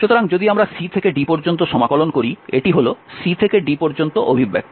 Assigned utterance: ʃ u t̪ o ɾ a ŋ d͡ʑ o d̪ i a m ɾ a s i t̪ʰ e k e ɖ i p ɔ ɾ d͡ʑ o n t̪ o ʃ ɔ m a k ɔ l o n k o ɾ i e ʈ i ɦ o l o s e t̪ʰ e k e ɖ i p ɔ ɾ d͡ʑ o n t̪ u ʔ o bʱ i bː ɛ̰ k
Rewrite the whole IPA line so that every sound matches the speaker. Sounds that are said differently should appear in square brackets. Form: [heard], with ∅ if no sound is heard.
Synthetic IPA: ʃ u t̪ o ɾ a ŋ d͡ʑ o d̪ i a m ɾ a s i t̪ʰ e k e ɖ i p ɔ ɾ d͡ʑ o n t̪ o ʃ ɔ m a k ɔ l o n k o ɾ i e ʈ i ɦ o l o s [i] t̪ʰ e k e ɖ i p ɔ ɾ d͡ʑ o n t̪ [o] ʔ o bʱ i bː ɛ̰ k